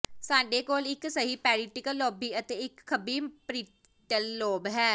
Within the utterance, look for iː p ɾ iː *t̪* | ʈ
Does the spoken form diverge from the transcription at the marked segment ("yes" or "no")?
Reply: yes